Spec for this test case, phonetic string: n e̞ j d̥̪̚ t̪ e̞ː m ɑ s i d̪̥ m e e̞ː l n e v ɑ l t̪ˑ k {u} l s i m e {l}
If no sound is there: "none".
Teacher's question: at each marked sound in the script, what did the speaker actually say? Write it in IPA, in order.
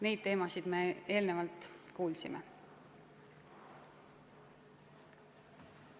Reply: uː, none

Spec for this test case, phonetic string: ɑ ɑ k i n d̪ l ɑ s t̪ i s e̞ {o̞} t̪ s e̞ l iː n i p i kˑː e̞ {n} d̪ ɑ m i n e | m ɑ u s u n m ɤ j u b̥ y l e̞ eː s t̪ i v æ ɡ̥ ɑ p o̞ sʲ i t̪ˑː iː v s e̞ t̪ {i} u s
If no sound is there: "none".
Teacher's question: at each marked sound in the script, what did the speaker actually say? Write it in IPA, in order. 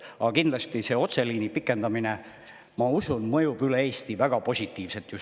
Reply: o̞, n, j

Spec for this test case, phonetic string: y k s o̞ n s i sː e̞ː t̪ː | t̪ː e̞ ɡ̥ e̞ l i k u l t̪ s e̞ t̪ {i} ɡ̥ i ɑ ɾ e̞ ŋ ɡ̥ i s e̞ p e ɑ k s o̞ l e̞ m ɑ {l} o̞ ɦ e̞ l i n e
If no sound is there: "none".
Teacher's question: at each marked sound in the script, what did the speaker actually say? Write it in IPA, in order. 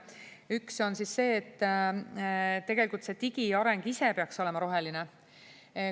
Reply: i, ɾ

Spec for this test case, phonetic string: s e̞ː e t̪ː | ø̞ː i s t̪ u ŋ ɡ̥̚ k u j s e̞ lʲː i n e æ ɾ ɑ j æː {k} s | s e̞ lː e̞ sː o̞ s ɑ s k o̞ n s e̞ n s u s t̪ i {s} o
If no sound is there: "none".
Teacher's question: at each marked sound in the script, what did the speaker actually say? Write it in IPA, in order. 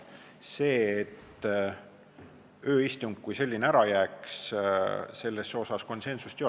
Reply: k, none

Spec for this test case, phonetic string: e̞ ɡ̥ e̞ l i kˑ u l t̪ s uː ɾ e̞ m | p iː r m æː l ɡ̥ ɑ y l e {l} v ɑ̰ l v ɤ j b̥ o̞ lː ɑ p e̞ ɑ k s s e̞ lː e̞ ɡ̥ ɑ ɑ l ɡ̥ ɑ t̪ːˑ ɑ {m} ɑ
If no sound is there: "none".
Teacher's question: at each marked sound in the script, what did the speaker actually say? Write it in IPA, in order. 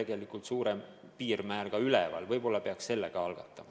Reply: none, m

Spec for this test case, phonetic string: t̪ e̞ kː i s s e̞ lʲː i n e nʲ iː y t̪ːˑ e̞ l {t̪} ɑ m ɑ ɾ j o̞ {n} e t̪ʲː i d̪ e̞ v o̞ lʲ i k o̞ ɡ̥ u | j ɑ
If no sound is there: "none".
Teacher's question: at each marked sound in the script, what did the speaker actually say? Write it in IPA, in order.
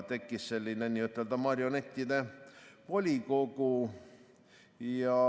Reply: d̪, n

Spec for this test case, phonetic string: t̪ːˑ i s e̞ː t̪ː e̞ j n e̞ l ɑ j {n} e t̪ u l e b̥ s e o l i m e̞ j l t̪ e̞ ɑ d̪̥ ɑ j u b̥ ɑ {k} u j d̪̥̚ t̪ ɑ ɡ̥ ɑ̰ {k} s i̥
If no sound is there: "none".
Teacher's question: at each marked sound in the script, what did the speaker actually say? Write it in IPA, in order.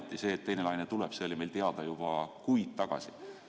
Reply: n, k, none

